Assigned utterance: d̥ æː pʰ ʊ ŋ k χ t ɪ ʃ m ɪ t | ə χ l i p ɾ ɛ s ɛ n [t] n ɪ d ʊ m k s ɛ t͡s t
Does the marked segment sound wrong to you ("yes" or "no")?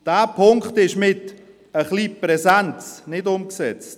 yes